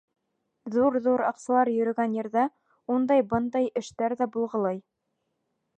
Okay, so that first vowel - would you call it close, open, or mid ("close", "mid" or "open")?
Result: close